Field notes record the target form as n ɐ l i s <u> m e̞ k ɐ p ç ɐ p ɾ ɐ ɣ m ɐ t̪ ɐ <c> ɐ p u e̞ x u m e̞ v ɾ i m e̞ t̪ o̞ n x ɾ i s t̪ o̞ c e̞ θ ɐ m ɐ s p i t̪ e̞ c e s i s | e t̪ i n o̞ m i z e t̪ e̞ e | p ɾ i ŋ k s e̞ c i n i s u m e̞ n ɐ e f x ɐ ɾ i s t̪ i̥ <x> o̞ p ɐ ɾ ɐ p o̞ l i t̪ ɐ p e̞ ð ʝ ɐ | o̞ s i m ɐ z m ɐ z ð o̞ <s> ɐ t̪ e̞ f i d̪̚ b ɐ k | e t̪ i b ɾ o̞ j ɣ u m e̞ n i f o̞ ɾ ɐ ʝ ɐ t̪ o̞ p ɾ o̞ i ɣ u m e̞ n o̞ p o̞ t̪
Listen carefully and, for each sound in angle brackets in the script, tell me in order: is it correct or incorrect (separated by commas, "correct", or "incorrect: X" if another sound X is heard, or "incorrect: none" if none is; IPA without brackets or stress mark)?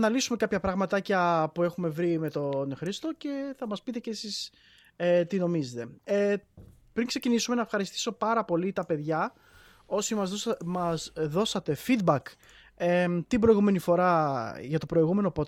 correct, correct, incorrect: s, correct